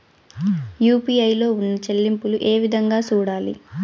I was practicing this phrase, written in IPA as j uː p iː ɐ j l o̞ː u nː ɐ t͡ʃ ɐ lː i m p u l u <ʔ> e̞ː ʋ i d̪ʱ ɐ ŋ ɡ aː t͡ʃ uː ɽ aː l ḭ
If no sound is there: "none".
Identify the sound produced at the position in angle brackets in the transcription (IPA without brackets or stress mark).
ʔ